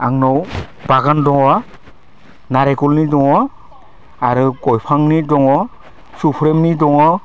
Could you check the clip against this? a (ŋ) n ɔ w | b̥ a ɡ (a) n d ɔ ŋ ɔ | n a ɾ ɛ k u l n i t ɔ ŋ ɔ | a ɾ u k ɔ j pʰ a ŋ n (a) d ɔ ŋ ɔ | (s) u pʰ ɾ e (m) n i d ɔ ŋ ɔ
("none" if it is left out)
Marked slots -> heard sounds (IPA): ŋ, a, i, s, m

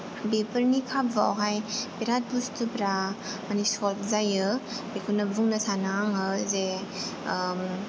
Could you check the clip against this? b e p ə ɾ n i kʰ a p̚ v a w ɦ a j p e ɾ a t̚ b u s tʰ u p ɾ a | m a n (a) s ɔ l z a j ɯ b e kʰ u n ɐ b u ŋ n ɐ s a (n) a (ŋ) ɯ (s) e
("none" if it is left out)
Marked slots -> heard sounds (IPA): i, n, ŋ, z

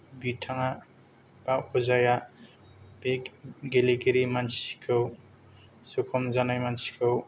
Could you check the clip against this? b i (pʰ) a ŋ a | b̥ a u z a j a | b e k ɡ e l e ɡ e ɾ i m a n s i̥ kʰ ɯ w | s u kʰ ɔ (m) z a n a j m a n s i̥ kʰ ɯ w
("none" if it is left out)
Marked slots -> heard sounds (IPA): tʰ, m

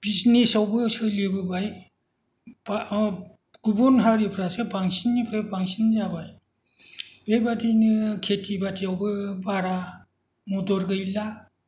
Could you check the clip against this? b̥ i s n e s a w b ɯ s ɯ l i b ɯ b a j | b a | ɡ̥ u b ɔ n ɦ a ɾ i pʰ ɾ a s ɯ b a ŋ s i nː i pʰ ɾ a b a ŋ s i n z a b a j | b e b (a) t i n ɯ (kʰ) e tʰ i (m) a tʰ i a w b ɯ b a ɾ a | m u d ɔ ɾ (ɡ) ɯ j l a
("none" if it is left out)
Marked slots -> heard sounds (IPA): a, kʰ, b, ɡ

